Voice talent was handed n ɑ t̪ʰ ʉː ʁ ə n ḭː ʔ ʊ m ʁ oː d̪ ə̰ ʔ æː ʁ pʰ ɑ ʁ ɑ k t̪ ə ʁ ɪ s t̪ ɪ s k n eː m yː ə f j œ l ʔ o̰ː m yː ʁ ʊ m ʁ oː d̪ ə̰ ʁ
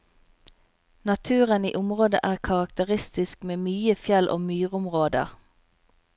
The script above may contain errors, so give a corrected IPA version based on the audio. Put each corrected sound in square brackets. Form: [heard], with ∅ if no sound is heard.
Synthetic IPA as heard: n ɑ t̪ʰ ʉː ʁ ə n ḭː ʔ ʊ m ʁ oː d̪ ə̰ ʔ æː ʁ [kʰ] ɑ ʁ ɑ k t̪ ə ʁ ɪ s t̪ ɪ s k [m] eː m yː ə f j [ɛ] l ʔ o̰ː m yː ʁ ʊ m ʁ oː d̪ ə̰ ʁ